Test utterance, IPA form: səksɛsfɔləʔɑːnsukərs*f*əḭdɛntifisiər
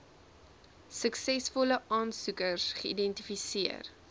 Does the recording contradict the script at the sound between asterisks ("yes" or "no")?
yes